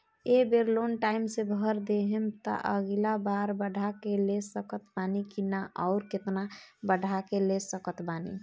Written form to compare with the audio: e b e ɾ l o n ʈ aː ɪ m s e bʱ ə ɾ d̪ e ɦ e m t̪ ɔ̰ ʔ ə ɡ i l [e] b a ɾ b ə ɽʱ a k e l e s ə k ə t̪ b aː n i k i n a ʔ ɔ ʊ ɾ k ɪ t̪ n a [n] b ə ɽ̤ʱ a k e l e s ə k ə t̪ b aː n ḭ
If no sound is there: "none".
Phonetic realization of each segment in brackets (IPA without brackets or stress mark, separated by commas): a, none